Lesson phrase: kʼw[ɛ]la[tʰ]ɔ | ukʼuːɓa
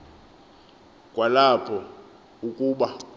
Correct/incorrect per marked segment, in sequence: incorrect, incorrect

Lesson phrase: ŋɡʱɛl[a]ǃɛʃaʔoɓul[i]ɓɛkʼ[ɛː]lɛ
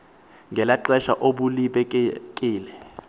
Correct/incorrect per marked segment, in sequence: correct, correct, incorrect

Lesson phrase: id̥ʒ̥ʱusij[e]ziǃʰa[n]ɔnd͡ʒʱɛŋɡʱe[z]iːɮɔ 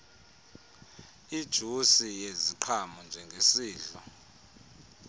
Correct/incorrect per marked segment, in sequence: correct, incorrect, incorrect

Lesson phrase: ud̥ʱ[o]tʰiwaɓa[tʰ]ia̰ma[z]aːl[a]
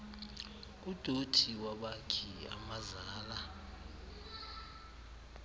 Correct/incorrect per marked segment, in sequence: correct, incorrect, correct, correct

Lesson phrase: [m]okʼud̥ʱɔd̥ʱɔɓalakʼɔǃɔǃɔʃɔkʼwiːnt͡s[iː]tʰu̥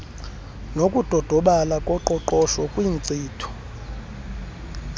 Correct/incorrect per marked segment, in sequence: incorrect, correct

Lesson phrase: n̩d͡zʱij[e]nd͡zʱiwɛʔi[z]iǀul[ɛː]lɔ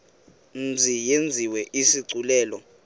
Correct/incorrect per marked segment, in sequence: correct, incorrect, correct

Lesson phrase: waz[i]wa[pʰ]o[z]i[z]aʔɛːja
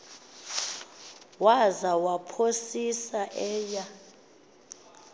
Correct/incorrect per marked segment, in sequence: incorrect, correct, incorrect, incorrect

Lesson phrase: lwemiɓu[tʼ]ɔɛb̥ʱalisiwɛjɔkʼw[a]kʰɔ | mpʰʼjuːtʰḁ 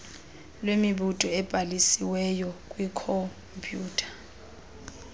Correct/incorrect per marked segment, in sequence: correct, incorrect

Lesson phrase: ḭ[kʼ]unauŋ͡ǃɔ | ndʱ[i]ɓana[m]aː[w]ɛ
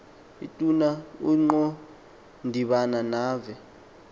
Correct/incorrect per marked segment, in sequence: incorrect, correct, incorrect, incorrect

